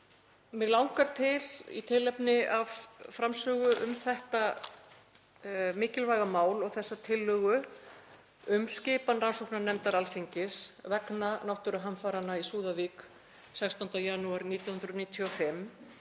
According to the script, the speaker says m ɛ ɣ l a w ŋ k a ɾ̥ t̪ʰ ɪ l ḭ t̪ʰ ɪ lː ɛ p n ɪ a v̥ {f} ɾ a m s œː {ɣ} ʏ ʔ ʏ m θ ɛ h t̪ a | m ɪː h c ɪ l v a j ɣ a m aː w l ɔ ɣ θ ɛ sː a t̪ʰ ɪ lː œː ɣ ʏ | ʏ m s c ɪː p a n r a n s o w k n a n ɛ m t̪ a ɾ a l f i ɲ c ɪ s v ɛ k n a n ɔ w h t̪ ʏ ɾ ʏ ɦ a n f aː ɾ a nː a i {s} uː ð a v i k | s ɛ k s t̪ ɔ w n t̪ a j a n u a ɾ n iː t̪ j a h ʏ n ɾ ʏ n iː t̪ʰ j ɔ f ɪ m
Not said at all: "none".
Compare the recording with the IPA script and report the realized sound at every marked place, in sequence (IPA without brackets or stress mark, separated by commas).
f, ɣ, s